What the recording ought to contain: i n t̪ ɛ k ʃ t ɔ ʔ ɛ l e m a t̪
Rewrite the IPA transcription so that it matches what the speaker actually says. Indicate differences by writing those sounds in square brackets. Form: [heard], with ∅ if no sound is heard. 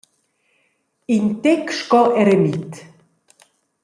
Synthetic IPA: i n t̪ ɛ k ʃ [k] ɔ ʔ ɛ [ɾ] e m [i] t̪